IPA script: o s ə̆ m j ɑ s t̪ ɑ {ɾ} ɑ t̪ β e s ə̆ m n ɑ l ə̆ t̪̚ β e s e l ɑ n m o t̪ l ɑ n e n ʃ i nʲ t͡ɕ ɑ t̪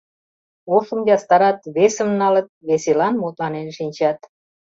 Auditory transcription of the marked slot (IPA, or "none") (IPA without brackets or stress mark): ɾ